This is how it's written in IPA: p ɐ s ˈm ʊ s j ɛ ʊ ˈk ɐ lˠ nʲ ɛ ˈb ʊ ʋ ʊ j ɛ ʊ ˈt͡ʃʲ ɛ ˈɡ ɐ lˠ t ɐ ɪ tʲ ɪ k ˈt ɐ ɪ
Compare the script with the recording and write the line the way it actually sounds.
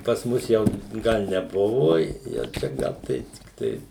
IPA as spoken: p ɐ s ˈm ʊ s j ɛ ʊ ˈɡ ɐ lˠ nʲ ɛ ˈb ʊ ʋ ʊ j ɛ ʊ ˈt͡ʃʲ ɛ ˈɡ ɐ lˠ t ɐ ɪ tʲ ɪ k ˈt ɐ ɪ